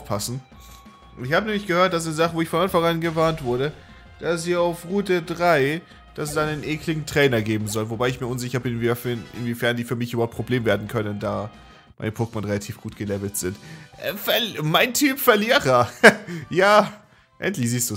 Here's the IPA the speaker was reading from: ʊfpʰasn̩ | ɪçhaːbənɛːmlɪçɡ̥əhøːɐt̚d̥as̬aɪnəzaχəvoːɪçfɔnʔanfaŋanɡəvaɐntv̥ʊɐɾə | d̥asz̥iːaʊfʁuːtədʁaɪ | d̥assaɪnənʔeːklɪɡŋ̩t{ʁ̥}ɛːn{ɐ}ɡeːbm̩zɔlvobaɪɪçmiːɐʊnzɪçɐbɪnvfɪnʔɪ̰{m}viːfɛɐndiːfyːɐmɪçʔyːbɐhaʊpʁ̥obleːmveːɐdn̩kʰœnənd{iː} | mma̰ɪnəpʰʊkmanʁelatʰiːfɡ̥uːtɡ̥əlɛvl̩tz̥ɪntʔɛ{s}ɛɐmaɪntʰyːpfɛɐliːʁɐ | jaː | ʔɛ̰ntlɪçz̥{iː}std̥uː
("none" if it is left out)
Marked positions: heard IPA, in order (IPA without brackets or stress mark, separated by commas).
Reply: ʁ̥, ɐ, n, aː, f, iː